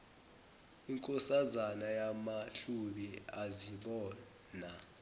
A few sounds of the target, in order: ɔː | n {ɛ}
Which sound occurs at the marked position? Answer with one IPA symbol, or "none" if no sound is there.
a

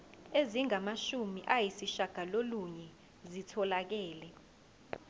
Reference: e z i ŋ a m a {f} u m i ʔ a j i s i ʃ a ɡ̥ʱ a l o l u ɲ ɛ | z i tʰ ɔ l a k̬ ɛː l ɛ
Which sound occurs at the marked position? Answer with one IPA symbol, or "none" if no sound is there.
ʃ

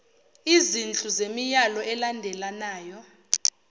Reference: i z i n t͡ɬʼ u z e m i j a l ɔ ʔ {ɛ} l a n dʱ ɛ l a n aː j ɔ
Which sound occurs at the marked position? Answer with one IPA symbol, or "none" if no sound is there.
ɛ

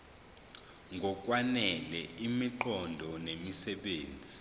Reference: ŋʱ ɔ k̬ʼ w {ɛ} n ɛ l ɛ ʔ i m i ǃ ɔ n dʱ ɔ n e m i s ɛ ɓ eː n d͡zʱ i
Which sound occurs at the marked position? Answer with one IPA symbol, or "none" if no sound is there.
a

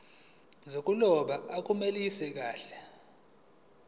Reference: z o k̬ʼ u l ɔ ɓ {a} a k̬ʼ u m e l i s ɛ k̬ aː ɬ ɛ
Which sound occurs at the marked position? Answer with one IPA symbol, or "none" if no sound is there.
a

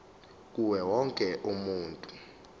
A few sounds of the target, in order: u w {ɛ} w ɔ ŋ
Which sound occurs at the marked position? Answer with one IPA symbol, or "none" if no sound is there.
ɛ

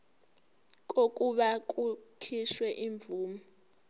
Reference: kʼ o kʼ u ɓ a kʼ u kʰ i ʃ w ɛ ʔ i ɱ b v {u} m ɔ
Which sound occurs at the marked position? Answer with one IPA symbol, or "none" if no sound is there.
uː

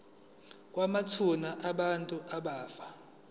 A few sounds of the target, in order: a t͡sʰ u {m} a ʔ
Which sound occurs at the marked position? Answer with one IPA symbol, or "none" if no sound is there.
n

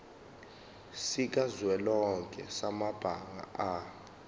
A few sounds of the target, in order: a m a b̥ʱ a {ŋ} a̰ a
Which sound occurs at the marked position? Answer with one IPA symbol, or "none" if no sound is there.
ŋ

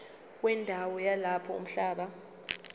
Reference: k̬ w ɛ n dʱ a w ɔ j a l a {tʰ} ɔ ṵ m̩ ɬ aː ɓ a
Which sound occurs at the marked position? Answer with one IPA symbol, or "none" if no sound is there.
pʰ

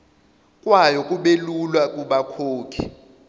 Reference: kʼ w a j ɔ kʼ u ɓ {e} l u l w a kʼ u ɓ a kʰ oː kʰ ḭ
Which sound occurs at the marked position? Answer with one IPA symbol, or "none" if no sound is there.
e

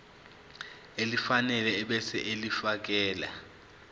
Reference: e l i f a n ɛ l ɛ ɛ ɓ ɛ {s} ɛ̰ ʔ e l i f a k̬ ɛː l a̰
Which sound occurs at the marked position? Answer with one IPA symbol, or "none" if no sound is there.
s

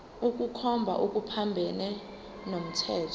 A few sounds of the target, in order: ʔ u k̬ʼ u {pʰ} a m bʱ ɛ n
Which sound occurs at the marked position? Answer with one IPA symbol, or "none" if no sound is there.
pʰ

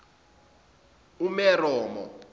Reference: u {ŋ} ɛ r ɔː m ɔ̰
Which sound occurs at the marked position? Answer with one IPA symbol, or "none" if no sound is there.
m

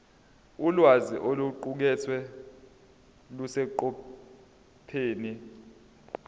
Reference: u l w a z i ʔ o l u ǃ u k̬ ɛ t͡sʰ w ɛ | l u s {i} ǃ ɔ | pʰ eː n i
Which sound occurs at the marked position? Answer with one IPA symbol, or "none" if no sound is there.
ɛ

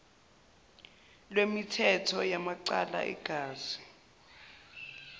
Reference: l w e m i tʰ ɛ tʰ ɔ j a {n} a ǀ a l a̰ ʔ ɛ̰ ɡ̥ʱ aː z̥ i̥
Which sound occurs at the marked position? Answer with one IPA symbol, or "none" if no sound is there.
m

